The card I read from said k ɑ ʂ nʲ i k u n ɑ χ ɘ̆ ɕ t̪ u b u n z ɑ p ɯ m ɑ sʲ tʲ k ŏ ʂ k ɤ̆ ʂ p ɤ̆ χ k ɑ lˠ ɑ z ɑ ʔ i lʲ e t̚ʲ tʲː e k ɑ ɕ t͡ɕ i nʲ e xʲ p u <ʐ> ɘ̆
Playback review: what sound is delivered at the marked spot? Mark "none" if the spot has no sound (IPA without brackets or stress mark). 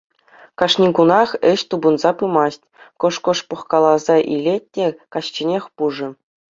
ʐ